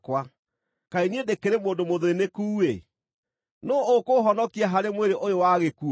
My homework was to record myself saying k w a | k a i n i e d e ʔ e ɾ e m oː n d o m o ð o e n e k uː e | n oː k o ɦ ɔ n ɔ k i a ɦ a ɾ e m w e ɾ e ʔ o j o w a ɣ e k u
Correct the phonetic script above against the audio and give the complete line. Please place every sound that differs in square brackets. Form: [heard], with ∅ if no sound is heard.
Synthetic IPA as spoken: k w a | k a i n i e d e [k] e ɾ e m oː n d o m o ð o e n e k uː e | n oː k o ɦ ɔ n ɔ k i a ɦ a ɾ e m w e ɾ e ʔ o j o w a ɣ e k u